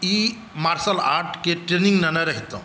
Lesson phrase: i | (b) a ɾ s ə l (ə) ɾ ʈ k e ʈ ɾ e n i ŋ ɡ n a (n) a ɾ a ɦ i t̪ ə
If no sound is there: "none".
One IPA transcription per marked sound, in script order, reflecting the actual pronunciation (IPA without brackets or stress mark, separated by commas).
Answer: m, a, n